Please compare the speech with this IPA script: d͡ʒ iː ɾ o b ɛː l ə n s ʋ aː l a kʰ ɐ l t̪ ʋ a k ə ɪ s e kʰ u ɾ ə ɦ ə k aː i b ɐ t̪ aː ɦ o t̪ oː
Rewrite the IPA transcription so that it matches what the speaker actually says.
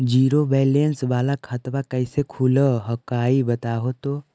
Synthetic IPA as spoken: d͡ʒ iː ɾ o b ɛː l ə n s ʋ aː l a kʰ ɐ t̪ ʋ a k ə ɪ s e kʰ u l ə ɦ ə k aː i b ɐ t̪ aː ɦ o t̪ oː